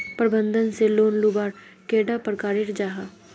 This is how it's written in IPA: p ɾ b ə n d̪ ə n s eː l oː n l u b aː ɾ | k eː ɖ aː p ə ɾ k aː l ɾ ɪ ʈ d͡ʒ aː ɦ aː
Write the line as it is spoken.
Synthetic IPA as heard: p ɾ b ə n d̪ ə n s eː l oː n l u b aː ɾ | k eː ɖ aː p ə ɾ k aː ɾ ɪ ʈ d͡ʒ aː ɦ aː